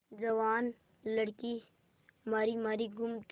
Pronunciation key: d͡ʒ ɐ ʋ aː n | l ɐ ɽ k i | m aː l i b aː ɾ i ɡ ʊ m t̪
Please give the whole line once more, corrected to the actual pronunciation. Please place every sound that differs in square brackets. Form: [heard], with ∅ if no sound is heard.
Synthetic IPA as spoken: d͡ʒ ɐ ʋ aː n | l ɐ ɽ k i | m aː [ɾ] i [m] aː ɾ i ɡ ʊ m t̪